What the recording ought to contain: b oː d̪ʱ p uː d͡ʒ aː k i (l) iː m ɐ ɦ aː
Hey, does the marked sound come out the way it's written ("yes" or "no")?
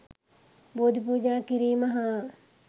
no